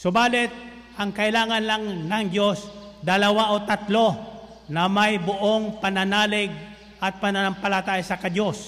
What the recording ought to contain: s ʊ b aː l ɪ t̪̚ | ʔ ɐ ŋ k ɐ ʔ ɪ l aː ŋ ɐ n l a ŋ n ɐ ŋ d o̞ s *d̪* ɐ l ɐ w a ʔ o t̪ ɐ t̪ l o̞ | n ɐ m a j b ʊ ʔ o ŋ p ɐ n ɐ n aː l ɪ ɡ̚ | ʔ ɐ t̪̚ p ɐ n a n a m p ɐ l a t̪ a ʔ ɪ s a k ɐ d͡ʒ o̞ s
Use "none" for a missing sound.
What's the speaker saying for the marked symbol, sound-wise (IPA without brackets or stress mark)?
d̪